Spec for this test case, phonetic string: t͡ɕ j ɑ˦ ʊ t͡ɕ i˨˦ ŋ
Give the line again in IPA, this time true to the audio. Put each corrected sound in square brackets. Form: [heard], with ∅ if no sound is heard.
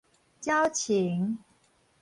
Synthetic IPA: t͡ɕ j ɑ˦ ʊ [t͡ɕʰ] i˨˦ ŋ